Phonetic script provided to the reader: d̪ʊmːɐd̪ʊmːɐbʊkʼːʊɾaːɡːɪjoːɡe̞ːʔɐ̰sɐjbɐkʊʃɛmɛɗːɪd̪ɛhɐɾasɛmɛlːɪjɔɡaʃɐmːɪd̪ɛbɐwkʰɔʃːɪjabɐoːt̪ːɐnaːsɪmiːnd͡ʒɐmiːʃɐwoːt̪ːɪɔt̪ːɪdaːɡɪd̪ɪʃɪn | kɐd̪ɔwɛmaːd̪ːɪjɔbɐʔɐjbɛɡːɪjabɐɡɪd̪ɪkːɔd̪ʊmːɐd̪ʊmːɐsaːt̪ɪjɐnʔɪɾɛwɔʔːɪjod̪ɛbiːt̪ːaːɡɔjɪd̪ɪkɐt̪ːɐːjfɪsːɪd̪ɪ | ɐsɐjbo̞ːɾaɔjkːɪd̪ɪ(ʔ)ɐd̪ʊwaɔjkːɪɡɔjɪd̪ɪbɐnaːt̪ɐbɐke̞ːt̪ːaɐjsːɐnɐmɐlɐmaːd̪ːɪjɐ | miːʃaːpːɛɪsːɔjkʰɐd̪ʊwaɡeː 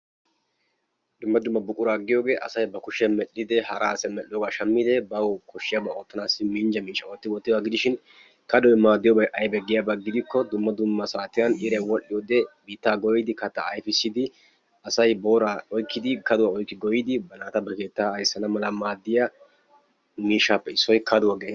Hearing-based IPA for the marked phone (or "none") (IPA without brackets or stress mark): k